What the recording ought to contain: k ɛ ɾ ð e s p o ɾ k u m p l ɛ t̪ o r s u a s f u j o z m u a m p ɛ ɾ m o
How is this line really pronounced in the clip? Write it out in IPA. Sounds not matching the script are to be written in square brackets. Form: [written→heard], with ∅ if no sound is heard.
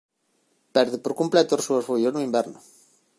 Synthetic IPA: [k→p] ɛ ɾ ð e [s→∅] p o ɾ k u m p l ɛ t̪ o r s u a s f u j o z [m→n] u [a→i] m [p→b] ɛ ɾ [m→n] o